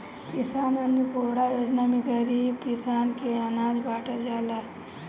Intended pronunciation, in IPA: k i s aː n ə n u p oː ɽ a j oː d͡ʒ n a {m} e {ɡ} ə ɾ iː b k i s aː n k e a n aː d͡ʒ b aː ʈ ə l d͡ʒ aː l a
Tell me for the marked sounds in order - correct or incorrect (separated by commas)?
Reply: correct, correct